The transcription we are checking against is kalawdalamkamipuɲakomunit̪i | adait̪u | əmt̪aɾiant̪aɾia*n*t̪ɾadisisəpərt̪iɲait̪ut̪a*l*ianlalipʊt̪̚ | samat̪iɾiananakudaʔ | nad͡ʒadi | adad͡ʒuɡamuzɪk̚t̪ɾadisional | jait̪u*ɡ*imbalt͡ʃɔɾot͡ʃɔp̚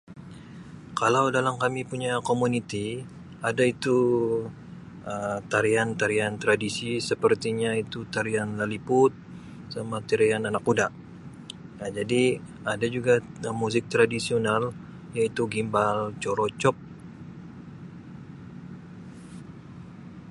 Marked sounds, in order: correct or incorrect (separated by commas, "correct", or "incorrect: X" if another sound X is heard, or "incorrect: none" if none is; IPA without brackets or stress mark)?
correct, incorrect: ɾ, correct